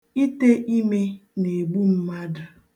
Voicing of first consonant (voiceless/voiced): voiceless